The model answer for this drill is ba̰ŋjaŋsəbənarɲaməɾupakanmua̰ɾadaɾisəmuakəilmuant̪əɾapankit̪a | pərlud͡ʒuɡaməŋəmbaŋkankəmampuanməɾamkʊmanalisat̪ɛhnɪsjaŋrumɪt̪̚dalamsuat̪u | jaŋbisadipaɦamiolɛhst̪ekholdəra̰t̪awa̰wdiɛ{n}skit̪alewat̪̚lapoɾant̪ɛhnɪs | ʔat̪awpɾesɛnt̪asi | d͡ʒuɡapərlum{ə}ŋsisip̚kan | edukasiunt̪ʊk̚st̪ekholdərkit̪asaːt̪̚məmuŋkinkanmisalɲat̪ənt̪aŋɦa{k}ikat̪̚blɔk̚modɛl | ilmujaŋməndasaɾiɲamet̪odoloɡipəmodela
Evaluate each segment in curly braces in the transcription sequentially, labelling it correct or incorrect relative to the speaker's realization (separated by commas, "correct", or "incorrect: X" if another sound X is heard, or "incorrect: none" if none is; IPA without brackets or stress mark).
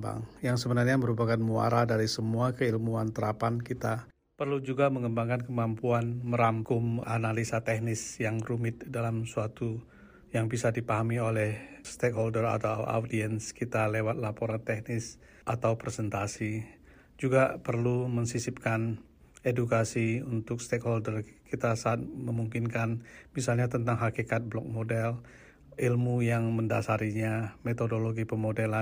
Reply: correct, correct, correct